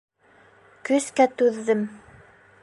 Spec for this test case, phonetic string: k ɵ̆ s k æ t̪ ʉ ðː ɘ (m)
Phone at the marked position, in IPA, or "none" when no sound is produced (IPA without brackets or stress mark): m